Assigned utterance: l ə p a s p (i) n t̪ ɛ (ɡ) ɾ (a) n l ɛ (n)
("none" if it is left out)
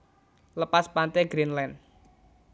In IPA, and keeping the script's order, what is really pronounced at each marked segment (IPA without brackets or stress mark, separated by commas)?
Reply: a, ɡ, i, n